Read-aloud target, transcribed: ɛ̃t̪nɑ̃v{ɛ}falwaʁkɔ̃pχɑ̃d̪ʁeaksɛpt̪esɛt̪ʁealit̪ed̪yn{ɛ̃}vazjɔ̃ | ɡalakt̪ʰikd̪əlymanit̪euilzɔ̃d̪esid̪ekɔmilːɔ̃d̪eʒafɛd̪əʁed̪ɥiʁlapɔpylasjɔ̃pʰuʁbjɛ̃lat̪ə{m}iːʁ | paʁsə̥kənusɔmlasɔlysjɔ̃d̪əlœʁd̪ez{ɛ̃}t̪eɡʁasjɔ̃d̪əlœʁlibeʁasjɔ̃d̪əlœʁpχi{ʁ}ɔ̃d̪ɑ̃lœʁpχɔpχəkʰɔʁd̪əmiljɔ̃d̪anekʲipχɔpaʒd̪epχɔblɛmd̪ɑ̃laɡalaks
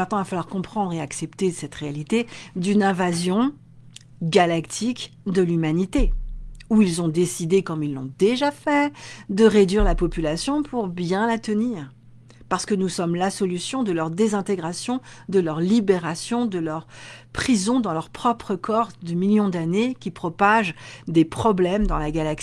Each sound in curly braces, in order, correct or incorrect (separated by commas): incorrect, correct, incorrect, correct, incorrect